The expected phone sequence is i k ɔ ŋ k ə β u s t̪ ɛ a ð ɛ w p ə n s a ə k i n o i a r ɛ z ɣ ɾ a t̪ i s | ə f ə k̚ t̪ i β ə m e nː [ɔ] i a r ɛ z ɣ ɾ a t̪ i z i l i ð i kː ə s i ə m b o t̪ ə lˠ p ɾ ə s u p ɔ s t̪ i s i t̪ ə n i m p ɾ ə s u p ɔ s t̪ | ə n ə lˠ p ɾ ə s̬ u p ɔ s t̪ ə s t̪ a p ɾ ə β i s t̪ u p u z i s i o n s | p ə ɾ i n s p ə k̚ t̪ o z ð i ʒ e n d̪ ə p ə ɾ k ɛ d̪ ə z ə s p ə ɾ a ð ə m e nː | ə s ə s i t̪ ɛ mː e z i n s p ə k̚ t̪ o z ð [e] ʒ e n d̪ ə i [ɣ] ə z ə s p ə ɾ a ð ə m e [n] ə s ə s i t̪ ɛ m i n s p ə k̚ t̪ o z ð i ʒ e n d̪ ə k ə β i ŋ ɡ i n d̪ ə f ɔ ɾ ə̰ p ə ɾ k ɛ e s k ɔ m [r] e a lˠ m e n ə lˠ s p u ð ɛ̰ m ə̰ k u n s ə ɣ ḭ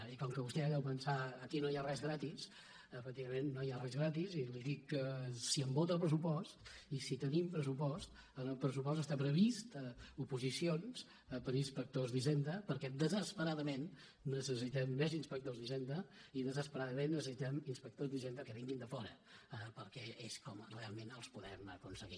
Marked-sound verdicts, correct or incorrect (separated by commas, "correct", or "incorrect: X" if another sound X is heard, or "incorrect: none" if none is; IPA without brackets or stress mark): incorrect: o, incorrect: i, incorrect: ð, incorrect: nː, correct